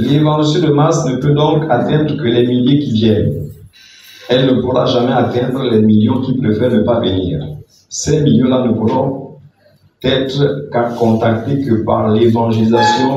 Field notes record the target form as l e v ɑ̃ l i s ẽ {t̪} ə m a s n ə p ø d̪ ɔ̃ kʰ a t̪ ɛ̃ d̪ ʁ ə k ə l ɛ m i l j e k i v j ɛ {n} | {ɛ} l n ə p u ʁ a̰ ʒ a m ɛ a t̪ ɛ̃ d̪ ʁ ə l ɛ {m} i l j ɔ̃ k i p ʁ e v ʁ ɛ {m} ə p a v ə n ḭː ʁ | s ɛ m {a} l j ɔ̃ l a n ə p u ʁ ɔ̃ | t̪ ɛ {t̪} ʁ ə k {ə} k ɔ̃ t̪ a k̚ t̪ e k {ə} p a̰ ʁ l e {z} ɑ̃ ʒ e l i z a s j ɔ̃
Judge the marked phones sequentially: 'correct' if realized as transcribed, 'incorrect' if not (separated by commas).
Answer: incorrect, correct, correct, correct, incorrect, incorrect, correct, incorrect, correct, incorrect